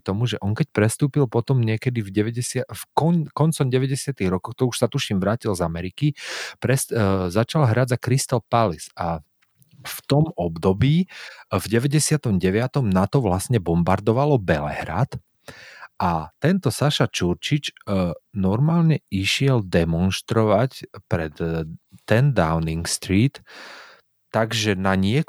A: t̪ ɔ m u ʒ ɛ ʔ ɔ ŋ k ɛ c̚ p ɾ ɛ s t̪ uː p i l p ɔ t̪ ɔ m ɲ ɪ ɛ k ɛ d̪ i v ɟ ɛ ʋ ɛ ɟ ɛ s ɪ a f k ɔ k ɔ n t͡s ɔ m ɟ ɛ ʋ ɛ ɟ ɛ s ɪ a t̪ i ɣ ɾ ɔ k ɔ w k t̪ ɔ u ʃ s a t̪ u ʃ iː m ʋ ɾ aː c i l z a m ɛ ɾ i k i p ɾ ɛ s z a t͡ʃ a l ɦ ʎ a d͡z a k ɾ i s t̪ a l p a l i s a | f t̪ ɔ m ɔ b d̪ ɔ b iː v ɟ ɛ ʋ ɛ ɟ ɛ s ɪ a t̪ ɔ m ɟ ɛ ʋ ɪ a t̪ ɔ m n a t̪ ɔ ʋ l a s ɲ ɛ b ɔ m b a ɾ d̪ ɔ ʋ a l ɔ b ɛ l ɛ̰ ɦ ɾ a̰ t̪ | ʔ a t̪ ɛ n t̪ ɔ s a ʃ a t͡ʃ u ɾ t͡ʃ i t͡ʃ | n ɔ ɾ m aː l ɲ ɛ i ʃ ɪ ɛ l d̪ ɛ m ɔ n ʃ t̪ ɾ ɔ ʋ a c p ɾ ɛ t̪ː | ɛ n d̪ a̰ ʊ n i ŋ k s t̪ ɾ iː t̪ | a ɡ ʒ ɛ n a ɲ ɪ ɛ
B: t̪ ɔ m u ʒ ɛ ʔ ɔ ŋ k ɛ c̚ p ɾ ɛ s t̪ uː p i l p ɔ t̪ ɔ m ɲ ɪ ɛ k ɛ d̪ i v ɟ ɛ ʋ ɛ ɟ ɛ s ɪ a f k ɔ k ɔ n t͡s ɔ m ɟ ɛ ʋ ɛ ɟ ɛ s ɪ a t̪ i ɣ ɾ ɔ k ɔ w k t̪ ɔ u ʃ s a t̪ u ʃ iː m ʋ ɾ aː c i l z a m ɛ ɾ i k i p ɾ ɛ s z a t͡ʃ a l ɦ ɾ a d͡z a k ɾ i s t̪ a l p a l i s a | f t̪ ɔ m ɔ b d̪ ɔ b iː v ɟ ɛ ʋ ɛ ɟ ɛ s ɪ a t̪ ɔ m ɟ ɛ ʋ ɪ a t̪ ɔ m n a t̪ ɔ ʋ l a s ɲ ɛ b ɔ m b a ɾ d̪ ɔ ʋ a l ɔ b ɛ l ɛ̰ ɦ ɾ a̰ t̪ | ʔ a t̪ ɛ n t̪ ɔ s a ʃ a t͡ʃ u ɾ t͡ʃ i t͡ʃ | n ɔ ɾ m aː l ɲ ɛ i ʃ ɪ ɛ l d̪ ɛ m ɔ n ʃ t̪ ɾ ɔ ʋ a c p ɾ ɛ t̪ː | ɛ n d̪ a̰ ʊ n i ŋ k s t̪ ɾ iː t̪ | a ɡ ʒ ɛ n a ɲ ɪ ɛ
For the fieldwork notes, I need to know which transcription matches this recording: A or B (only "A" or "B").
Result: B